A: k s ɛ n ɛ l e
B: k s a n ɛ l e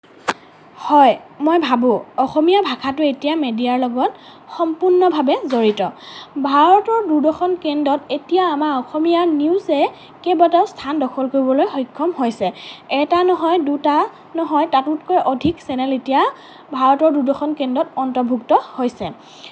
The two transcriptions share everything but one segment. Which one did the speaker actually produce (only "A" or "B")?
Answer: A